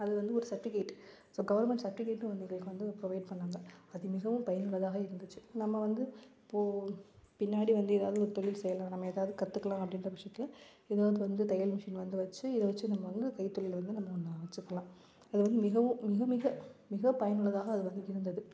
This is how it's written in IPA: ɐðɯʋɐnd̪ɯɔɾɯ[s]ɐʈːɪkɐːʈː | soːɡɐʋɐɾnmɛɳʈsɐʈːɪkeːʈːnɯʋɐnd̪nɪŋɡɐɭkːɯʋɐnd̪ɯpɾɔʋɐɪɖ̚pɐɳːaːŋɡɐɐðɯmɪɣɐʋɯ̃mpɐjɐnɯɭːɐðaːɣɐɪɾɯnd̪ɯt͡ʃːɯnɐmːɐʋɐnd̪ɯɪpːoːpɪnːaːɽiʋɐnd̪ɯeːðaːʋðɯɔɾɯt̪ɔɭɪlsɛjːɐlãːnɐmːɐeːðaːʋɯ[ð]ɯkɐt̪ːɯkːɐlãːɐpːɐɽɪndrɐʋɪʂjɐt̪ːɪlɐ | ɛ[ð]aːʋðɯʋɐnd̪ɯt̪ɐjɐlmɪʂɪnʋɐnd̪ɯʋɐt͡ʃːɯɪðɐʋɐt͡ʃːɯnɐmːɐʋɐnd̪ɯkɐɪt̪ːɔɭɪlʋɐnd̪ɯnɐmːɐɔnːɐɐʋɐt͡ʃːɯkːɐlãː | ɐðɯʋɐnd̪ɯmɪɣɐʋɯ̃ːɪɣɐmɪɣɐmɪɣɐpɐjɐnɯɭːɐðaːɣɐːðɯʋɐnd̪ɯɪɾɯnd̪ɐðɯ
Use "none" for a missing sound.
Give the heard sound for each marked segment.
s, ð, ð

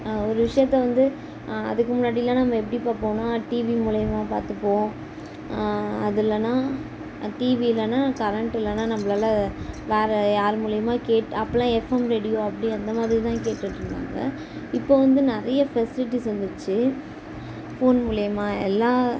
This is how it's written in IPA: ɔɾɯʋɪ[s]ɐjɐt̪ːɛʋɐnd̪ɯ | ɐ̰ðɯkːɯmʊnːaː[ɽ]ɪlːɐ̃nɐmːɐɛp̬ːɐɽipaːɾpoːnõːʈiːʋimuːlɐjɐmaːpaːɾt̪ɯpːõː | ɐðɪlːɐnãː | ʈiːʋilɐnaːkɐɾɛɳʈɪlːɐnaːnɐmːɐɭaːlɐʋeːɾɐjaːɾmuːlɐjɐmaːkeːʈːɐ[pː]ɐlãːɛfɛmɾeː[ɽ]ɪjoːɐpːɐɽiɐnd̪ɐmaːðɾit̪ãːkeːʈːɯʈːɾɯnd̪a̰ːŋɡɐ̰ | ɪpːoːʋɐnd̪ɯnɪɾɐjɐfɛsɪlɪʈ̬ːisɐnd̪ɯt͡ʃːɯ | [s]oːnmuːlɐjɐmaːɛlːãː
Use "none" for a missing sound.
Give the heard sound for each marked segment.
ʂ, ɽ, pː, ɽ, f

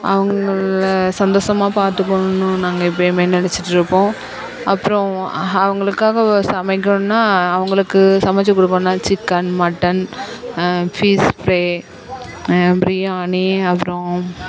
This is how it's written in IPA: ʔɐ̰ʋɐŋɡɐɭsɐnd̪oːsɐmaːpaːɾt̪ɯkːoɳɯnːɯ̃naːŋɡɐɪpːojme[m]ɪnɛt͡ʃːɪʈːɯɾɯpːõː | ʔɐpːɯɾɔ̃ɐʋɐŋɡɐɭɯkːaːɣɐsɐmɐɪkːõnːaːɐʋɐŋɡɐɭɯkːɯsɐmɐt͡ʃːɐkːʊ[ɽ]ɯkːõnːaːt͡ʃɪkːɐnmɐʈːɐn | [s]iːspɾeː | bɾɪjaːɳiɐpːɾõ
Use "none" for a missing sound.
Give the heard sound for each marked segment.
n, ɽ, f

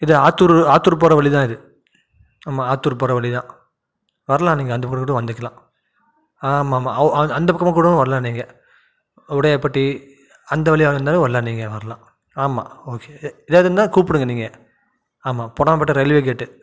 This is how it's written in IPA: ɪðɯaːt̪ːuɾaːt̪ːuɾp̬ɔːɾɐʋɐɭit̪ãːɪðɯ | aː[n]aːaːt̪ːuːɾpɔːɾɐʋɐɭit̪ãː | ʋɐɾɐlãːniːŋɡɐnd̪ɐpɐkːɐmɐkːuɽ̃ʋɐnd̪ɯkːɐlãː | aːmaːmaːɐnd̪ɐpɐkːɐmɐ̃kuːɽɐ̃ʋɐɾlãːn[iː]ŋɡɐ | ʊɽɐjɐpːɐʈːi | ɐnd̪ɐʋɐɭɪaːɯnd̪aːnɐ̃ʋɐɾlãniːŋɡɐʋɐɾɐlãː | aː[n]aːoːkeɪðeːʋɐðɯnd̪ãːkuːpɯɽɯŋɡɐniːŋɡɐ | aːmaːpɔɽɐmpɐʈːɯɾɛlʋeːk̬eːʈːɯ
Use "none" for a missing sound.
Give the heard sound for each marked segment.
m, iː, m

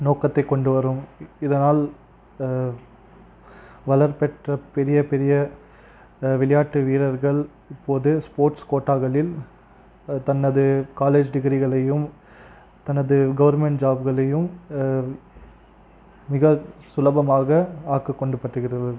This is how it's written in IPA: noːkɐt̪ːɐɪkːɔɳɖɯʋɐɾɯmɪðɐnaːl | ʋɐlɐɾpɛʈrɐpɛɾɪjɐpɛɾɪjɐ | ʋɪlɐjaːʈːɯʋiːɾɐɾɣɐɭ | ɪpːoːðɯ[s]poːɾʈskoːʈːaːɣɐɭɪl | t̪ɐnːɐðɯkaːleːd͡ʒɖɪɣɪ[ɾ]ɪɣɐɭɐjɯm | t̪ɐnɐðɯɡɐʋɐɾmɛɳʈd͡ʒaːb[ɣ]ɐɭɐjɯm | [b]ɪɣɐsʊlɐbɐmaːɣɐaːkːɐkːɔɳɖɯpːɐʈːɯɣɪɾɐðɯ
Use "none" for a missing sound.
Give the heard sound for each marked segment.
s, ɾ, ɣ, m

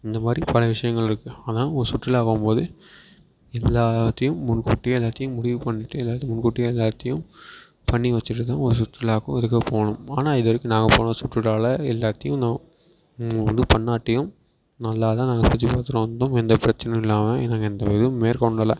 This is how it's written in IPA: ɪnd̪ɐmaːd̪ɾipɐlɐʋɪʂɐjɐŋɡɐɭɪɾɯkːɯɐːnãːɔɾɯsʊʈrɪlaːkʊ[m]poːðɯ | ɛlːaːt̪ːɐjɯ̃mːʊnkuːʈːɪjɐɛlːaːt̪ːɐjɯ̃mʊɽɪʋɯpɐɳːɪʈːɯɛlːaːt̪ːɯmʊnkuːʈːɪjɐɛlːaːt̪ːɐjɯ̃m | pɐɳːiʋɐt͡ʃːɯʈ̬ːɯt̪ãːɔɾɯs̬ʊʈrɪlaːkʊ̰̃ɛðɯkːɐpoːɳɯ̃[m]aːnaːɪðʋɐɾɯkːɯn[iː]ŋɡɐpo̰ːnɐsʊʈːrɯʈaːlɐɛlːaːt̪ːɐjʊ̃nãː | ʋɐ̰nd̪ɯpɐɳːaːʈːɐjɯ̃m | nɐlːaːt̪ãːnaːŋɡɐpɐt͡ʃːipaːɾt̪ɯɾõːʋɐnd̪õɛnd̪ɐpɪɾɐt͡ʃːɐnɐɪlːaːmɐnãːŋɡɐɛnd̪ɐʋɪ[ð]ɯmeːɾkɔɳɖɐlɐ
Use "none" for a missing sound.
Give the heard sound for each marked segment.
m, m, aː, ð

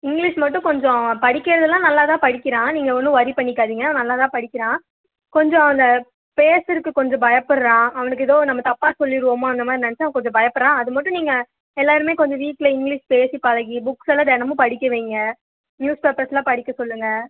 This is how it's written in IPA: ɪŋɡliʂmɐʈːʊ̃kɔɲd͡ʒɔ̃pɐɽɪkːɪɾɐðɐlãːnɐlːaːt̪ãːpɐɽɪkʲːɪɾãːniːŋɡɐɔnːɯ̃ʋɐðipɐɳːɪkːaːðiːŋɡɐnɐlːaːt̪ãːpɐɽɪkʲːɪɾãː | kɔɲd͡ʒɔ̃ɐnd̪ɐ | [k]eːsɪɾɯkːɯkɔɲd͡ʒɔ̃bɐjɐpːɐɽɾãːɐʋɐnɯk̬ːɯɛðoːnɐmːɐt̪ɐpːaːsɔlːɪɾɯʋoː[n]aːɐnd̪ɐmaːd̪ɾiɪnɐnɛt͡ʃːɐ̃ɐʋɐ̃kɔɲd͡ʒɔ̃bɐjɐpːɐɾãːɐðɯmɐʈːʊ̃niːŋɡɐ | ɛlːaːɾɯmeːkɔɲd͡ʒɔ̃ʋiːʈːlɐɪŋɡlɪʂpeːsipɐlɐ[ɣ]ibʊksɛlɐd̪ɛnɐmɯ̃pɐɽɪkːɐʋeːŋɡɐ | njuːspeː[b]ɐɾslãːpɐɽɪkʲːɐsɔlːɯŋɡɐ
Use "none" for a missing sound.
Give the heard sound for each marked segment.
p, m, ɣ, p

